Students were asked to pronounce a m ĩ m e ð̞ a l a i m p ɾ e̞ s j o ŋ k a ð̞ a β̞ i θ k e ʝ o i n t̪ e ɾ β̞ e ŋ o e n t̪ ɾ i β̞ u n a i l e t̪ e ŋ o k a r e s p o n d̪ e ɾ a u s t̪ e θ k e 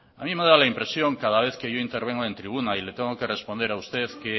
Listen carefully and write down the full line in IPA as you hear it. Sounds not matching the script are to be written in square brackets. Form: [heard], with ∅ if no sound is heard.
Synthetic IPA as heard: a m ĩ m e ð̞ a l a i m p ɾ e̞ s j o ŋ k a ð̞ a β̞ [e] θ k e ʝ o i n t̪ e ɾ β̞ e ŋ o e n t̪ ɾ i β̞ u n a i l e t̪ e ŋ o k [e] r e s p o n d̪ e ɾ a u s t̪ e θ k e